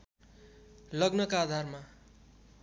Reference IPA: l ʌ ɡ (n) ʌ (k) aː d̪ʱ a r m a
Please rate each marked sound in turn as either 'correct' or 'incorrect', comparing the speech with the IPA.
correct, correct

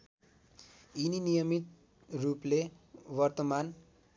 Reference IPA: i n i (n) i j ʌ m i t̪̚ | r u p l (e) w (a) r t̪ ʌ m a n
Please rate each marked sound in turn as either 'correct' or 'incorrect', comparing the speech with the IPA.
correct, correct, incorrect

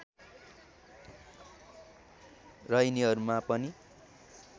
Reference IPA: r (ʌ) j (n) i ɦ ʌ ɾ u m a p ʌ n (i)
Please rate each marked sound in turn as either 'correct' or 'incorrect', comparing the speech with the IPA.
correct, correct, correct

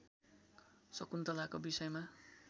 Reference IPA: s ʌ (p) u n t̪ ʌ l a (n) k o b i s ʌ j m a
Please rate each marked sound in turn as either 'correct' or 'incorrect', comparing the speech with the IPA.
incorrect, incorrect

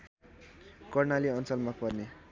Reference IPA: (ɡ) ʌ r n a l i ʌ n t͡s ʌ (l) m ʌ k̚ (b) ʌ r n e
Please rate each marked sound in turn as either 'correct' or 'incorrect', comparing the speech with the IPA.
incorrect, correct, incorrect

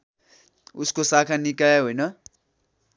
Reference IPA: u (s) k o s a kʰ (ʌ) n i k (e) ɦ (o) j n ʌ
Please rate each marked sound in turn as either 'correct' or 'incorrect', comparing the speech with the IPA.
correct, incorrect, incorrect, correct

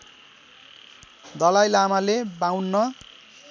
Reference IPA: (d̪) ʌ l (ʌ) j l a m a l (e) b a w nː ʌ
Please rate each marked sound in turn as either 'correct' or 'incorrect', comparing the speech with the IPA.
correct, incorrect, correct

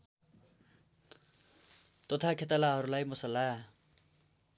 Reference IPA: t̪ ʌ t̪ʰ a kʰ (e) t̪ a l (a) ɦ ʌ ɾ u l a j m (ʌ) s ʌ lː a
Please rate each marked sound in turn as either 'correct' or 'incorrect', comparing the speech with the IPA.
correct, correct, correct

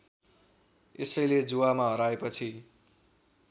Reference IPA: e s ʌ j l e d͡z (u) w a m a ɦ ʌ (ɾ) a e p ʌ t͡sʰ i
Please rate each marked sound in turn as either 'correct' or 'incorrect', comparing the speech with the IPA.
correct, correct

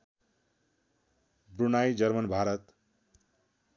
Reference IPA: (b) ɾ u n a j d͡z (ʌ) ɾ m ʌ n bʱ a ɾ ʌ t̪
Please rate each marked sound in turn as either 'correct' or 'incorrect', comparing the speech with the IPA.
correct, correct

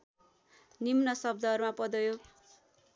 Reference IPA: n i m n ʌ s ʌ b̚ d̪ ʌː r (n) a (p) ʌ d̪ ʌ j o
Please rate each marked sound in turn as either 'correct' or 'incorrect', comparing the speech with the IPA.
incorrect, correct

